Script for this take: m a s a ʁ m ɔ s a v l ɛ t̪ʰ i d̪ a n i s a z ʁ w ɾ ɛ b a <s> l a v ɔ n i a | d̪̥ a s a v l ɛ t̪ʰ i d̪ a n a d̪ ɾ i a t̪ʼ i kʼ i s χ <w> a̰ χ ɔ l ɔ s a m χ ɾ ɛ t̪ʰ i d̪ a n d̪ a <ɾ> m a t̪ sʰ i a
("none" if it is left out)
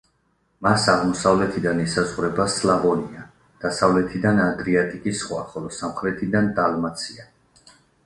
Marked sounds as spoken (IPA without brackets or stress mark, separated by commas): s, w, l